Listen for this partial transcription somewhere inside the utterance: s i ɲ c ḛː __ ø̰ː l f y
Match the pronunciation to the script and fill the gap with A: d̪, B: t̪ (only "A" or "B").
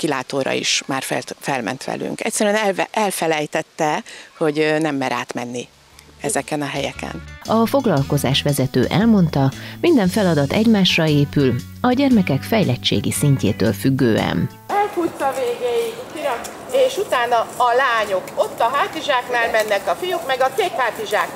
B